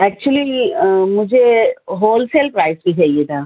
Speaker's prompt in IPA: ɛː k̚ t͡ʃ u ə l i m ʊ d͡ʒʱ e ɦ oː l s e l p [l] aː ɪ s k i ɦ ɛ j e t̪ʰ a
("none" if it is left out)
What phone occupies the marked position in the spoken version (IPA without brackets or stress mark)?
ɾ